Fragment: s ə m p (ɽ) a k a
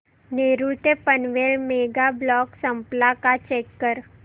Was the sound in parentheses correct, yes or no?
no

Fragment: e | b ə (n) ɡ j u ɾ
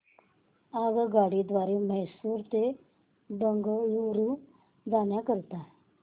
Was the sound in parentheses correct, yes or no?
no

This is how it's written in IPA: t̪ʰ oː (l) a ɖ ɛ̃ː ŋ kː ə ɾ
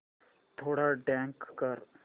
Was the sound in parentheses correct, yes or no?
no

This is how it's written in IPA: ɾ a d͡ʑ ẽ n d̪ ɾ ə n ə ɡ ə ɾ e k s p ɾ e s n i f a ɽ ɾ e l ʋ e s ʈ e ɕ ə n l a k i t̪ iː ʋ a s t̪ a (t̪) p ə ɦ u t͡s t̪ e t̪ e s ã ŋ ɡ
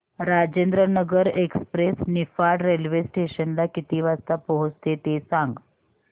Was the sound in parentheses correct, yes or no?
no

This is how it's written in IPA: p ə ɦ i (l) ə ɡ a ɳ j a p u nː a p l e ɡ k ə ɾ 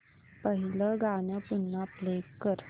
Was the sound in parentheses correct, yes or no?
yes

